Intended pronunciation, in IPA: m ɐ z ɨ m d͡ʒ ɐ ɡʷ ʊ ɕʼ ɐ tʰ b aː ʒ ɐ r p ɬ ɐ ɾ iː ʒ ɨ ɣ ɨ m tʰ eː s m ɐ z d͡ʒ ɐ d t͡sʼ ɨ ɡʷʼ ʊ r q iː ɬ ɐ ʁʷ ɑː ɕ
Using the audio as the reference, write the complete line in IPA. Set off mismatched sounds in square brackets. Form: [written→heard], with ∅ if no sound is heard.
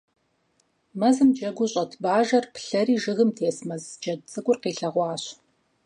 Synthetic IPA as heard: m ɐ z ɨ m d͡ʒ ɐ ɡʷ ʊ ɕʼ ɐ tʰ b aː ʒ ɐ r p ɬ ɐ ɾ iː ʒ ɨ ɣ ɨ m tʰ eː s m ɐ z d͡ʒ ɐ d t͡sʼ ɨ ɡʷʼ ʊ r q iː ɬ ɐ ʁʷ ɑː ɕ